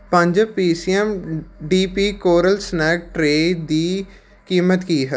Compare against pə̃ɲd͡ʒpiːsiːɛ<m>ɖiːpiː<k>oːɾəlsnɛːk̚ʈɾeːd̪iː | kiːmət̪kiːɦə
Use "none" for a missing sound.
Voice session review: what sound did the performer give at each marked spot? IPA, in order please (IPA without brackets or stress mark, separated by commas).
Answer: m, k